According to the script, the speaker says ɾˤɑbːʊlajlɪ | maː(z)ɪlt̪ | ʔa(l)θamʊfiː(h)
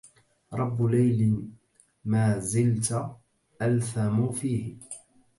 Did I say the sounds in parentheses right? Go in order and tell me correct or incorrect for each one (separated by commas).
correct, correct, correct